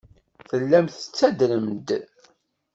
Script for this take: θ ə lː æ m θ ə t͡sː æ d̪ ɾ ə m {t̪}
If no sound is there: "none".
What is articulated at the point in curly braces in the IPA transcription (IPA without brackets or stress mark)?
d̪